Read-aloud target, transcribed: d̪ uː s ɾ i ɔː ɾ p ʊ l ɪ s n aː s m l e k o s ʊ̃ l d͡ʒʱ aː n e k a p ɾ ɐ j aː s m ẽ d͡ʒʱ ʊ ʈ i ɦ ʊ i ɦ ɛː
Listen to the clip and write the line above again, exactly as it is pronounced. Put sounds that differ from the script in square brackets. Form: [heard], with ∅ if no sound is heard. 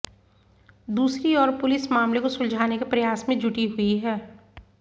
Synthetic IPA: d̪ uː s ɾ i ɔː ɾ p ʊ l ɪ s [m] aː [∅] m l e k o s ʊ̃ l d͡ʒʱ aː n e k [e] p ɾ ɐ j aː s m ẽ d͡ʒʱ ʊ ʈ i ɦ ʊ i ɦ ɛː

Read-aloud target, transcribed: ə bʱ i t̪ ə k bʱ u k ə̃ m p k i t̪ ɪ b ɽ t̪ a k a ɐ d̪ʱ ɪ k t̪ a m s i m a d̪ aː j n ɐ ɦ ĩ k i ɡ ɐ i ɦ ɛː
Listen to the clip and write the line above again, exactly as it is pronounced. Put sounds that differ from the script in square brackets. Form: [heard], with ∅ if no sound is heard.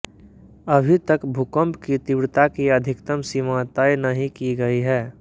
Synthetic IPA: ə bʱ i t̪ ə k bʱ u k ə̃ m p k i t̪ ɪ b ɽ t̪ a k [i] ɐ d̪ʱ ɪ k t̪ [ə] m s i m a [t̪] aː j n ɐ ɦ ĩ k i ɡ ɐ i ɦ ɛː

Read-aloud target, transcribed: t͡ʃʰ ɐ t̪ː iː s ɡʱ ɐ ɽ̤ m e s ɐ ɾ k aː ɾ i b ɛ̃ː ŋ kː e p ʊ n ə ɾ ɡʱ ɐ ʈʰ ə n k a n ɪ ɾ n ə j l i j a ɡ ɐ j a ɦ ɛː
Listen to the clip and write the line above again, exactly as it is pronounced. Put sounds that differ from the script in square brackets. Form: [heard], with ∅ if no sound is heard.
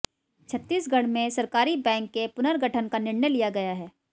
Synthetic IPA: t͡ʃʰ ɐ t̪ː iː s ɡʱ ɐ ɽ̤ m [ẽ] s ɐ ɾ k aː ɾ i b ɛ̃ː ŋ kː e p ʊ n ə ɾ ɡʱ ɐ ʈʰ ə n k a n ɪ ɾ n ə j l i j a ɡ ɐ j a ɦ ɛː

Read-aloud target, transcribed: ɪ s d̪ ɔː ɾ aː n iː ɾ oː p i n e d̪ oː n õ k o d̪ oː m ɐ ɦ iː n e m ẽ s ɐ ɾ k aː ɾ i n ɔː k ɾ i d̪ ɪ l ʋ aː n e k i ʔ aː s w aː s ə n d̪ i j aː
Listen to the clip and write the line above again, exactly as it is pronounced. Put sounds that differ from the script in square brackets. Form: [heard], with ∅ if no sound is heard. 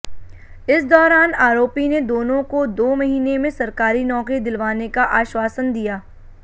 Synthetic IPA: ɪ s d̪ ɔː ɾ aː n [aː] ɾ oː p i n e d̪ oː n õ k o d̪ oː m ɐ ɦ iː n e m ẽ s ɐ ɾ k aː ɾ i n ɔː k ɾ i d̪ ɪ l ʋ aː n e k [a] ʔ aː [ʃ] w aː s ə n d̪ i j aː

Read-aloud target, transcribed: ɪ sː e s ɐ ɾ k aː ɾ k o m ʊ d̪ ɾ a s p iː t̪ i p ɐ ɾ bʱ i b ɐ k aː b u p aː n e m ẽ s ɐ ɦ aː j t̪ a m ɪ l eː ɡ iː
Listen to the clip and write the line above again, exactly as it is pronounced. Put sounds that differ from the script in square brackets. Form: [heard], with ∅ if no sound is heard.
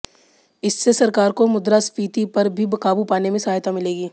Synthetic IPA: ɪ sː e s ɐ ɾ k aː ɾ k o m ʊ d̪ ɾ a s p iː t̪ i p ɐ ɾ bʱ i b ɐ k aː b u p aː n e m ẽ s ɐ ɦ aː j t̪ a m ɪ l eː ɡ iː

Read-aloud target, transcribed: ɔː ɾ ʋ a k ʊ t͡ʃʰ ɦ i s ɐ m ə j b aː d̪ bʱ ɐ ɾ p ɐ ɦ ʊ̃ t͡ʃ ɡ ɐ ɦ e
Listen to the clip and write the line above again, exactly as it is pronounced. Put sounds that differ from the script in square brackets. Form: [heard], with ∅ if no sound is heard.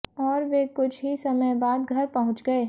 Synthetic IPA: ɔː ɾ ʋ [e] k ʊ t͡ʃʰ ɦ i s ɐ m ə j b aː d̪ [ɡʱ] ɐ ɾ p ɐ ɦ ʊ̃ t͡ʃ ɡ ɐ [∅] e

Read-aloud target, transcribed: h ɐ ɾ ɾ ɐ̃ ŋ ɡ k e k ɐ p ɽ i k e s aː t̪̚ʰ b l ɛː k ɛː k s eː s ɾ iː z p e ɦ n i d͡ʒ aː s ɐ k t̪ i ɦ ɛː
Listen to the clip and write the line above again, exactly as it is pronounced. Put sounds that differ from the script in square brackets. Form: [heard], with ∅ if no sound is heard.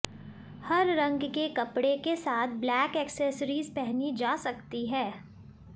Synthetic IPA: h ɐ ɾ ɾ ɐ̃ ŋ ɡ k e k ɐ p ɽ [e] k e s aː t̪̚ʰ b l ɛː k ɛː k s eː s ɾ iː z p [ɛ] ɦ n i d͡ʒ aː s ɐ k t̪ i ɦ ɛː

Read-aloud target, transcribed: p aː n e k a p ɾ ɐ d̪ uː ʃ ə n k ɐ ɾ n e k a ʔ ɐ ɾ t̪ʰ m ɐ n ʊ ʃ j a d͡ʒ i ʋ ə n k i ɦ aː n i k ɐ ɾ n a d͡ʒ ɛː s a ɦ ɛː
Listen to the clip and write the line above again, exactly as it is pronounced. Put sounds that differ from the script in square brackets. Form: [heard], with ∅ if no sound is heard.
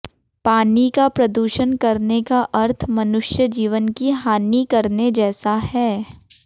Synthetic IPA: p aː n [i] k a p ɾ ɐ d̪ uː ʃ ə n k ɐ ɾ n e k a ʔ ɐ ɾ t̪ʰ m ɐ n ʊ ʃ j [ə] d͡ʒ [iː] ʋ ə n k i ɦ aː n i k ɐ ɾ n [e] d͡ʒ ɛː s a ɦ ɛː

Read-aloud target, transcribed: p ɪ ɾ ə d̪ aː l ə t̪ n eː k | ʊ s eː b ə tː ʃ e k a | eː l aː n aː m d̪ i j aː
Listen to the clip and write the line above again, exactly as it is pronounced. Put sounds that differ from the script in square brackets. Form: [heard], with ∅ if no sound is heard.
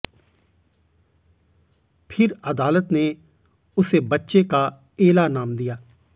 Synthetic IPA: [pʰ] ɪ ɾ ə d̪ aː l ə t̪ n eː [∅] | ʊ s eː b ə tː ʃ e k a | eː l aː n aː m d̪ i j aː

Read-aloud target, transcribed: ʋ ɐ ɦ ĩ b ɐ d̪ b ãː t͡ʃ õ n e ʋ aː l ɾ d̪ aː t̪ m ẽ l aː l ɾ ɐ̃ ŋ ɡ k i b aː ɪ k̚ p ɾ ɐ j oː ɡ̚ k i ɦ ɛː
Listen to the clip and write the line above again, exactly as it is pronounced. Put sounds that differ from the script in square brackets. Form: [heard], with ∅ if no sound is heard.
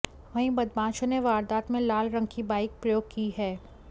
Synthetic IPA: ʋ ɐ ɦ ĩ b ɐ d̪ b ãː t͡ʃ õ n e ʋ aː [∅] ɾ d̪ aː t̪ m ẽ l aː l ɾ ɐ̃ ŋ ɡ k i b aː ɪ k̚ p ɾ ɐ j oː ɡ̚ k i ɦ ɛː

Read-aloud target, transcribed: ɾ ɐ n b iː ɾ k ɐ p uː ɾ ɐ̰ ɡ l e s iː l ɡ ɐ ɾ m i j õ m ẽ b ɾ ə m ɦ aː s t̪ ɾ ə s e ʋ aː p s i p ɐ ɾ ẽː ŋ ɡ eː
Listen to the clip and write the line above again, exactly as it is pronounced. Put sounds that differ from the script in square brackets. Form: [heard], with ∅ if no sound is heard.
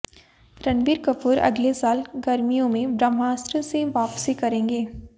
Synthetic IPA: ɾ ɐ n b iː ɾ k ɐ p uː ɾ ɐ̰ ɡ l e s [aː] l ɡ ɐ ɾ m i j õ m ẽ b ɾ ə m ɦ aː s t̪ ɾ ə s e ʋ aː p s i [k] ɐ ɾ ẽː ŋ ɡ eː

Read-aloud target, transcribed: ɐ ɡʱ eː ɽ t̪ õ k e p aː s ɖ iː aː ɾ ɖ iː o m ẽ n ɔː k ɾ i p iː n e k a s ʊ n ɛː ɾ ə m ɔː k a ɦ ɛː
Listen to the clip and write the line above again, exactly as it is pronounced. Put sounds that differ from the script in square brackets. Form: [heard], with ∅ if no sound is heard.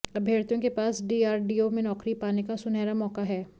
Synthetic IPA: ɐ [bʱ] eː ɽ t̪ õ k e p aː s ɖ iː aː ɾ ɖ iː o m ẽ n ɔː k ɾ i p [aː] n e k a s ʊ n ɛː ɾ [a] m ɔː k a ɦ ɛː

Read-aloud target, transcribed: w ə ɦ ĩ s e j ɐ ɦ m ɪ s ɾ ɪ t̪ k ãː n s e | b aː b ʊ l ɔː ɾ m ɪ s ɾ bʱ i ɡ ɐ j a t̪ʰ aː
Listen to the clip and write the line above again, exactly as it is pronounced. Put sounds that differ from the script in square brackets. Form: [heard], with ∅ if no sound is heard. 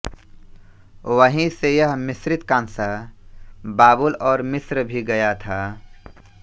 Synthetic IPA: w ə ɦ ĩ s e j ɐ ɦ m ɪ s ɾ ɪ t̪ k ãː n s [a] | b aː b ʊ l ɔː ɾ m ɪ s ɾ bʱ i ɡ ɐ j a t̪ʰ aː

